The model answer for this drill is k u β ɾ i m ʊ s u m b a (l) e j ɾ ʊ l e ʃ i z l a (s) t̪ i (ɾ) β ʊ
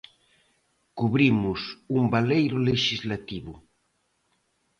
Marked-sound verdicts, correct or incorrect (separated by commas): correct, incorrect, incorrect